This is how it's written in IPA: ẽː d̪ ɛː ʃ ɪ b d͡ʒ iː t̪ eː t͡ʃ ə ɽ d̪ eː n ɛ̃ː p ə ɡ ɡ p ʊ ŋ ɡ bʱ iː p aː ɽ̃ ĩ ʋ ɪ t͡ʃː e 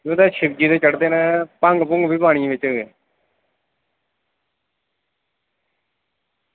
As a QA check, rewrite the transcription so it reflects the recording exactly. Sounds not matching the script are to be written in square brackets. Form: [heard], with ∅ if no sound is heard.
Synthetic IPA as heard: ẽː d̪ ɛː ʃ ɪ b d͡ʒ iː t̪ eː t͡ʃ ə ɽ d̪ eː n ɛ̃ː p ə [ŋ] ɡ p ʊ ŋ ɡ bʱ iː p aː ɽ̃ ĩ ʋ ɪ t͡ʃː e